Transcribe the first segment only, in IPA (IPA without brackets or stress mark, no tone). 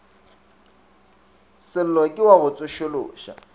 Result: s